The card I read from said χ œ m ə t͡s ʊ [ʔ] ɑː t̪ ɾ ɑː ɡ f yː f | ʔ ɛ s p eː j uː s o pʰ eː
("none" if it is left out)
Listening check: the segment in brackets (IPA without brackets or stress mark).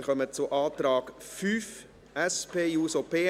ʔ